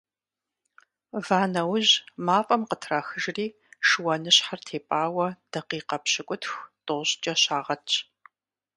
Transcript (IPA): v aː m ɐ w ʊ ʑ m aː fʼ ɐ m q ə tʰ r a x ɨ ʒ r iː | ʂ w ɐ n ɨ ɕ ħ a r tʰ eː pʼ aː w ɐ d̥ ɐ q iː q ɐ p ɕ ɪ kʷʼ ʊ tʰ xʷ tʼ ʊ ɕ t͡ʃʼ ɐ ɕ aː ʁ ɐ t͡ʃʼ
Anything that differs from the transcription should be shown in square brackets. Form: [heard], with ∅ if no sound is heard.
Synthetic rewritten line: v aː [n] ɐ w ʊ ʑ m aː fʼ ɐ m q ə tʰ r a x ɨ ʒ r iː | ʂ w ɐ n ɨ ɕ ħ a r tʰ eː pʼ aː w ɐ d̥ ɐ q iː q ɐ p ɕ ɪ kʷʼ ʊ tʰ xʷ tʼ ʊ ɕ t͡ʃʼ ɐ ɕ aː ʁ ɐ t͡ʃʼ

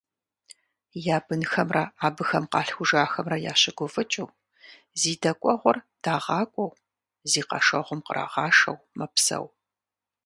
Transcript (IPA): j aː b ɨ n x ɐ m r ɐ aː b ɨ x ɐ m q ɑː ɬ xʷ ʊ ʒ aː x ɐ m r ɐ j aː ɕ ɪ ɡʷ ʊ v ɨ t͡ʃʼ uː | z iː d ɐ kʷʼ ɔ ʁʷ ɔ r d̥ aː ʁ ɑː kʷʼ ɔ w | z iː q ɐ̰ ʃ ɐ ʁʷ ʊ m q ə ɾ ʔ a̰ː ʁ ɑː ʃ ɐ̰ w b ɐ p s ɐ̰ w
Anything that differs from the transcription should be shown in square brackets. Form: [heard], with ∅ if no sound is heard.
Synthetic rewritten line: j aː b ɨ n x ɐ m r ɐ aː b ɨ x ɐ m q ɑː ɬ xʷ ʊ ʒ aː x ɐ m r ɐ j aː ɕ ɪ ɡʷ ʊ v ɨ t͡ʃʼ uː | z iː d ɐ kʷʼ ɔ ʁʷ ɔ r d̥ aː ʁ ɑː kʷʼ ɔ w | z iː q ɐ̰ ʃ ɐ ʁʷ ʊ m q ə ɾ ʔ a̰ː ʁ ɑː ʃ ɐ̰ w [m] ɐ p s ɐ̰ w

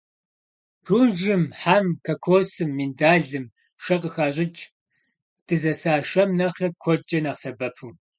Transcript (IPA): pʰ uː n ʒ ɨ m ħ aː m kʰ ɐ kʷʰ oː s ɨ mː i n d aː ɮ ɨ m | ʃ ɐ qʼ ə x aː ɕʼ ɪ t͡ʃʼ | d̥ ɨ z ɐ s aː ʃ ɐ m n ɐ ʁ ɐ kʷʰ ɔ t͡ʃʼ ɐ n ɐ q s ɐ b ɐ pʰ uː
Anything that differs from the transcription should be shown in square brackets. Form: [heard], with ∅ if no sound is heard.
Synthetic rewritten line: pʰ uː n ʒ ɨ m ħ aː m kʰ ɐ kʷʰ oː s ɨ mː i n d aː ɮ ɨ m | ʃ ɐ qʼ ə x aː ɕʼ ɪ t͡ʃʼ | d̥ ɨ z ɐ s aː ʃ ɐ m n ɐ [χ] ɐ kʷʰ ɔ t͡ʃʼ ɐ n ɐ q s ɐ b ɐ pʰ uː

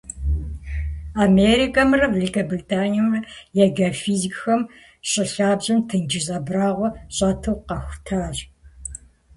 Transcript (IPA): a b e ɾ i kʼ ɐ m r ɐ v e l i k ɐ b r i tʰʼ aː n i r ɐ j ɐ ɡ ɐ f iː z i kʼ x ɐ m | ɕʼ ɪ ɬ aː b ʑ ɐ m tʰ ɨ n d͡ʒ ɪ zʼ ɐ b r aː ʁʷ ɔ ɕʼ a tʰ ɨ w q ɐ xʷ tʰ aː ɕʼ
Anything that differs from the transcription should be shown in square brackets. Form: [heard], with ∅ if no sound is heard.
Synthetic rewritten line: a [m] e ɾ i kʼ ɐ m r ɐ v e l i k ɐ b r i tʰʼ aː n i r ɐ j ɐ ɡ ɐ f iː z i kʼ x ɐ m | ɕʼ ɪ ɬ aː b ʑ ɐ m tʰ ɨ n d͡ʒ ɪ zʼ ɐ b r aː ʁʷ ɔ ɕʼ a tʰ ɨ w q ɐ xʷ tʰ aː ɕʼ

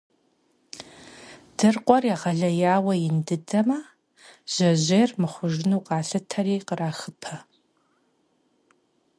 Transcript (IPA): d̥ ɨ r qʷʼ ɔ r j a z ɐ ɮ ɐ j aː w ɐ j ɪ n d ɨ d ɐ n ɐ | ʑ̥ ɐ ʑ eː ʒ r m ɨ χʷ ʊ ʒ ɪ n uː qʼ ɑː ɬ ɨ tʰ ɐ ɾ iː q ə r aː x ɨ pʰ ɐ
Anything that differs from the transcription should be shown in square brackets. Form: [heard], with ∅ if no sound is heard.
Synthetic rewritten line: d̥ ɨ r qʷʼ ɔ r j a [ʁ] ɐ ɮ ɐ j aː w ɐ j ɪ n d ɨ d ɐ [m] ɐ | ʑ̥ ɐ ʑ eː [∅] r m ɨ χʷ ʊ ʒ ɪ n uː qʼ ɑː ɬ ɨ tʰ ɐ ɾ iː q ə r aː x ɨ pʰ ɐ

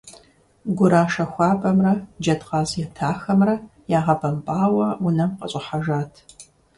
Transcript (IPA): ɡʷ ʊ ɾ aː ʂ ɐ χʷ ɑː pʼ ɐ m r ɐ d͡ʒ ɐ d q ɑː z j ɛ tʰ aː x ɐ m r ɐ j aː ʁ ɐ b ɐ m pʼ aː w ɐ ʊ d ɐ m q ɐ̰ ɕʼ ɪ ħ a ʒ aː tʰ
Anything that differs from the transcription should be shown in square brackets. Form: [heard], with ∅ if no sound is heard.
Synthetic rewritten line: ɡʷ ʊ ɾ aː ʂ ɐ [xʷ] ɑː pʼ ɐ m r ɐ d͡ʒ ɐ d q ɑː z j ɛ tʰ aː x ɐ m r ɐ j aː ʁ ɐ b ɐ m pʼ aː w ɐ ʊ [n] ɐ m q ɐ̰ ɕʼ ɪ ħ a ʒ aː tʰ

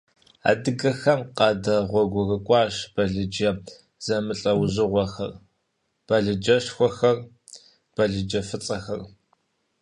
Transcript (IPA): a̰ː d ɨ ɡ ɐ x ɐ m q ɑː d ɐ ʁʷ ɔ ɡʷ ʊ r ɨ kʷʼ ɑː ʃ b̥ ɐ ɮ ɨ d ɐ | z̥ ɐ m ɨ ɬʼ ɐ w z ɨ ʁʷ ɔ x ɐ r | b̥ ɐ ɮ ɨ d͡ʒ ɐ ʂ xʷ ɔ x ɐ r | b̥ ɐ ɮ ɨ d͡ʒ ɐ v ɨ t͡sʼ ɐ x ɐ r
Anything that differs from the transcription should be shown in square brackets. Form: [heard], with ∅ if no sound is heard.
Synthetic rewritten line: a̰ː d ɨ ɡ ɐ x ɐ m q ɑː d ɐ ʁʷ ɔ ɡʷ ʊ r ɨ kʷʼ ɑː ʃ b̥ ɐ ɮ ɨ [d͡ʒ] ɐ | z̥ ɐ m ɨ ɬʼ ɐ w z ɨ ʁʷ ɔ x ɐ r | b̥ ɐ ɮ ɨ d͡ʒ ɐ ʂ xʷ ɔ x ɐ r | b̥ ɐ ɮ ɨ d͡ʒ ɐ [f] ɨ t͡sʼ ɐ x ɐ r

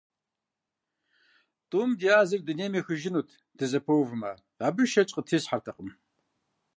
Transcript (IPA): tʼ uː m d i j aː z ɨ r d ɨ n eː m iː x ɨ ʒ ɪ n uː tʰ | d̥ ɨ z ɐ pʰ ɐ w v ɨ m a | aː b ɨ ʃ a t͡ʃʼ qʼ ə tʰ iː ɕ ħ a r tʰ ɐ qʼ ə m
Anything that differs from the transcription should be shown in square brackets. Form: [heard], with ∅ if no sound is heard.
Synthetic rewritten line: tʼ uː m d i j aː z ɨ r d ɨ n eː m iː x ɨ ʒ ɪ n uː tʰ | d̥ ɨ z ɐ pʰ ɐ w v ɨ m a | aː b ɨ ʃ [ɐ] t͡ʃʼ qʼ ə tʰ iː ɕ ħ a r tʰ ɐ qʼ ə m

